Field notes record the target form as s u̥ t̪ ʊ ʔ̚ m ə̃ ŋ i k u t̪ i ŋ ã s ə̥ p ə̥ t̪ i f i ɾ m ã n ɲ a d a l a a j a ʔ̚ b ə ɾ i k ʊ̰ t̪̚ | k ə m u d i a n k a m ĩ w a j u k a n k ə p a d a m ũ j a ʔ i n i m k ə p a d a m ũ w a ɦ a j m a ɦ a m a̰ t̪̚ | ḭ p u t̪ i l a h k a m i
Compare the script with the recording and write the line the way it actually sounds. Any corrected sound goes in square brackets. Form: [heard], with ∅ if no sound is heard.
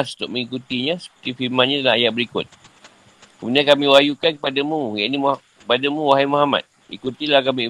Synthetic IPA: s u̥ t̪ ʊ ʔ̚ m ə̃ ŋ i k u t̪ i [ɲ] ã s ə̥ p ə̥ t̪ i f i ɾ m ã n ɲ a d a l a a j a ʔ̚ b ə ɾ i k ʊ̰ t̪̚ | k ə m u d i a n k a m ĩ w a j u k a n k ə p a d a m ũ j a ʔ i n i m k ə p a d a m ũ w a ɦ a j m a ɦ a m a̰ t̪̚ | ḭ [k] u t̪ i l a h k a m i